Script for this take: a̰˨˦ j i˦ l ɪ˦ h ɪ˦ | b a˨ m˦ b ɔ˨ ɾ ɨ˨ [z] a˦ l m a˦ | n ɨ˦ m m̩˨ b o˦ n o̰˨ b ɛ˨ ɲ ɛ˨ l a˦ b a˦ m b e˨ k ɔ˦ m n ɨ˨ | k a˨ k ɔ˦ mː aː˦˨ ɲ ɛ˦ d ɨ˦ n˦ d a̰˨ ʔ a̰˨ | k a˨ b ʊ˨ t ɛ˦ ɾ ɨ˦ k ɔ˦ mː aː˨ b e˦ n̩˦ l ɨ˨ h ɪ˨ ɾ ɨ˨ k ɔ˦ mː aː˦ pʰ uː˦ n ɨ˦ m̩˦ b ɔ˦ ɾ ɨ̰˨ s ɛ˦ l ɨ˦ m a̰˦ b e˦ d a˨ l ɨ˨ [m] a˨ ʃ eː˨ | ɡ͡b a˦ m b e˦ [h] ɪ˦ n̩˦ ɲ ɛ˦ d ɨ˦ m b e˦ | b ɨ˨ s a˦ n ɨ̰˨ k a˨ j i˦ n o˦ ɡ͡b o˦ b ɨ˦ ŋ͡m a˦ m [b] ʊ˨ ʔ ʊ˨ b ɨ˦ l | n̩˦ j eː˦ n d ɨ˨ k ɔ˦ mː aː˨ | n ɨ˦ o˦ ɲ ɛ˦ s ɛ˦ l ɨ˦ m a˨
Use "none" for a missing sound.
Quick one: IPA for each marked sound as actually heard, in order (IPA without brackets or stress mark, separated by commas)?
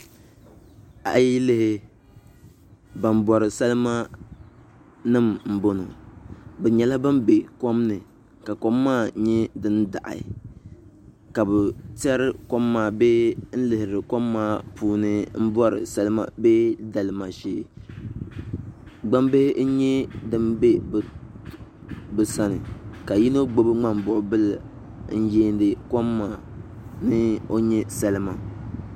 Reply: s, m, h, b